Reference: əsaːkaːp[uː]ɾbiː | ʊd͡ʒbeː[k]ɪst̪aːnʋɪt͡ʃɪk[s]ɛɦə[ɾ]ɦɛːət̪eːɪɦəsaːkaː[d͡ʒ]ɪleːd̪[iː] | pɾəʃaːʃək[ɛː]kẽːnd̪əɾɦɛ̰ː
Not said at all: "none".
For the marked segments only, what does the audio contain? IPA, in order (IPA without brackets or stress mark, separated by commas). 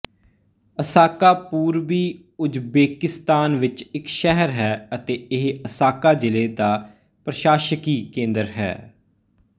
uː, k, ʃ, ɾ, d͡ʒ, aː, iː